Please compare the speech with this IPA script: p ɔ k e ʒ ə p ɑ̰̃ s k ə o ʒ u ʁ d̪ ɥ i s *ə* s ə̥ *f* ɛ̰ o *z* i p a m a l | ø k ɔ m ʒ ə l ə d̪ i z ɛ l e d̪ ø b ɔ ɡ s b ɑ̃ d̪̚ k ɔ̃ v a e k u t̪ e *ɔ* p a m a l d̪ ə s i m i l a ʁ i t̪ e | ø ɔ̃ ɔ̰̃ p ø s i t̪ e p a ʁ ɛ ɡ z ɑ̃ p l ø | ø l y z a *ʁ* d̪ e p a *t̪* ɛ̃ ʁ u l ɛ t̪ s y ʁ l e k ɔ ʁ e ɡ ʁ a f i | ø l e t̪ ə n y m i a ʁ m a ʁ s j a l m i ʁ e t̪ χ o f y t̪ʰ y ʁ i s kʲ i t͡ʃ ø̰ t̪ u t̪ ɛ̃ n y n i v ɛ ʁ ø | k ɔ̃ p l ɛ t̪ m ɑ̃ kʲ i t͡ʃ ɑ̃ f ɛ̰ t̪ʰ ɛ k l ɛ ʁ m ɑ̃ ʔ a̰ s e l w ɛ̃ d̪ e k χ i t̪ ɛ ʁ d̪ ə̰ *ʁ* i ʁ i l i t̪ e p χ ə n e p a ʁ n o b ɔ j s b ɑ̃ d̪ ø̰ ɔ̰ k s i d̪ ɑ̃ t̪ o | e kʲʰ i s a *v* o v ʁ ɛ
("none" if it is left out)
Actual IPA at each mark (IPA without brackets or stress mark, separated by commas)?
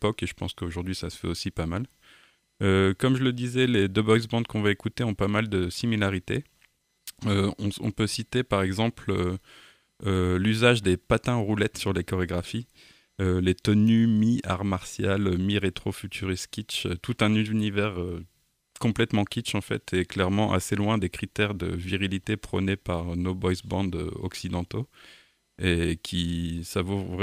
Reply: a, f, s, ɔ̃, ʒ, t̪, v, v